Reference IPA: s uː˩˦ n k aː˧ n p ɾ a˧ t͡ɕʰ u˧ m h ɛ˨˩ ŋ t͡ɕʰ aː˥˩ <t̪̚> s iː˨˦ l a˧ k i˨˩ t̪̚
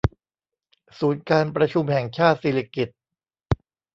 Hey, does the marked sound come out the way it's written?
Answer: yes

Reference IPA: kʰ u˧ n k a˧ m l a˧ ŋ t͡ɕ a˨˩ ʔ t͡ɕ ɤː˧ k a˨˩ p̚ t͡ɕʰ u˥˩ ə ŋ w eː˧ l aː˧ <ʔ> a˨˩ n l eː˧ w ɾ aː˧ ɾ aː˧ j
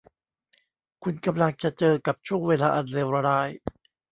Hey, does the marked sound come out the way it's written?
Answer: yes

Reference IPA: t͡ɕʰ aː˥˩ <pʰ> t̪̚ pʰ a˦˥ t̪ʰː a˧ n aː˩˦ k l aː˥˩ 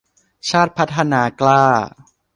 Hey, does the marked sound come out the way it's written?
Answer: no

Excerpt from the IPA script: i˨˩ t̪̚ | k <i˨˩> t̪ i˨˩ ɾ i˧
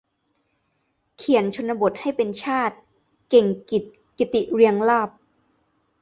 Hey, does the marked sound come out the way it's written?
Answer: yes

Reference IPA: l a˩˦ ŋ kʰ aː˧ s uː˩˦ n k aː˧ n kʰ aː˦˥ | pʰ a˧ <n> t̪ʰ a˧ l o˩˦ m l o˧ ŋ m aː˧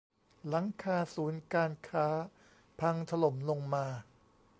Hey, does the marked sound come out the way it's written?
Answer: no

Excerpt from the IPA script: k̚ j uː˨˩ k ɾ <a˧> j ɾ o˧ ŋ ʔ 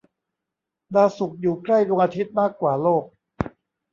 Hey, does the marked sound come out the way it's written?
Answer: no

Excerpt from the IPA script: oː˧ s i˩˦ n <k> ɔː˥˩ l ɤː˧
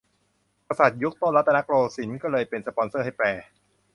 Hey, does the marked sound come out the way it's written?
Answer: yes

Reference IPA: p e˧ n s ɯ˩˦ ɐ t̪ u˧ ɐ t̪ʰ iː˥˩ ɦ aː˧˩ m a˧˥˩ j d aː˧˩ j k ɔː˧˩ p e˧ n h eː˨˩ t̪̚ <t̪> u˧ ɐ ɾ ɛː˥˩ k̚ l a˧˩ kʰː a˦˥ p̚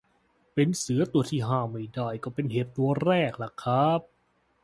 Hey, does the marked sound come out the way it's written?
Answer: yes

